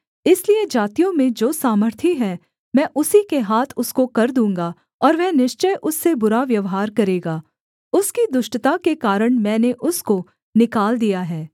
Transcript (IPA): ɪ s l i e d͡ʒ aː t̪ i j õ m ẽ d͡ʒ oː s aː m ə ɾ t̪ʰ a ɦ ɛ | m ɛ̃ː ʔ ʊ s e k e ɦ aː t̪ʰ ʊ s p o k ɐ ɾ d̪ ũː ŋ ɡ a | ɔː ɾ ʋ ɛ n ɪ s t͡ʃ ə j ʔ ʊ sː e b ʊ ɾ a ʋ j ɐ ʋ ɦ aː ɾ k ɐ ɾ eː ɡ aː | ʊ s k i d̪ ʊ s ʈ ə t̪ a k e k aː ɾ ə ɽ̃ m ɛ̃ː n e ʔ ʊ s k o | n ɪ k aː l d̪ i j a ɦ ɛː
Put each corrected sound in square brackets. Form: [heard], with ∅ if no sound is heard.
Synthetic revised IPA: ɪ s l i e d͡ʒ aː t̪ i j õ m ẽ d͡ʒ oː s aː m ə ɾ t̪ʰ [i] ɦ ɛ | m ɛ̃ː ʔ ʊ s [i] k e ɦ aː t̪ʰ ʊ s [k] o k ɐ ɾ d̪ ũː ŋ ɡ a | ɔː ɾ ʋ ɛ n ɪ [ʃ] t͡ʃ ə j ʔ ʊ sː e b ʊ ɾ a ʋ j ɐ ʋ ɦ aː ɾ k ɐ ɾ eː ɡ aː | ʊ s k i d̪ ʊ [ʃ] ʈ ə t̪ a k e k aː ɾ ə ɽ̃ m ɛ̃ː n e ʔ ʊ s k o | n ɪ k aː l d̪ i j a ɦ ɛː